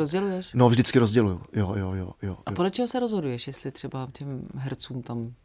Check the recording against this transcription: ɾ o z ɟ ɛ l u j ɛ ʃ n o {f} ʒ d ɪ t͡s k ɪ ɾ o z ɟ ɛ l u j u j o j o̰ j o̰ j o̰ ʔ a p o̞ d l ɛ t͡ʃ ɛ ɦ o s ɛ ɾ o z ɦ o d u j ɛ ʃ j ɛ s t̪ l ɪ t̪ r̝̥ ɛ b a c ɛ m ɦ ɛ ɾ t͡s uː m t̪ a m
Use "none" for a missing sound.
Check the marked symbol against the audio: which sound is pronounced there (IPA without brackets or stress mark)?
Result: v